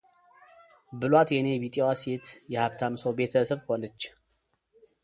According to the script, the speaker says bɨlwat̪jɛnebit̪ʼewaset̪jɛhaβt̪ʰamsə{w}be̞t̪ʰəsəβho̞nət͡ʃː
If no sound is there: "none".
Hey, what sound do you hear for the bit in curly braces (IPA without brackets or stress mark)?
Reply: w